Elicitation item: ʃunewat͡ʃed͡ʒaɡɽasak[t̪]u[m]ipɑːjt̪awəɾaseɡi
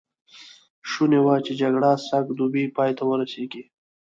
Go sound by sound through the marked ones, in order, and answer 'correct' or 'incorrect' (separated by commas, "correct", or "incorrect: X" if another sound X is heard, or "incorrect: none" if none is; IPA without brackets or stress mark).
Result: incorrect: d̪, incorrect: b